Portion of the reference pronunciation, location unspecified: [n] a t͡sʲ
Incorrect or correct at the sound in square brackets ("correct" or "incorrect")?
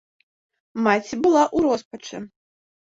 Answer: incorrect